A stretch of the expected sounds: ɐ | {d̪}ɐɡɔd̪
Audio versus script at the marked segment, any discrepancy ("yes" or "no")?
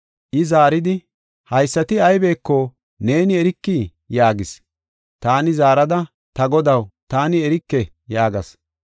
yes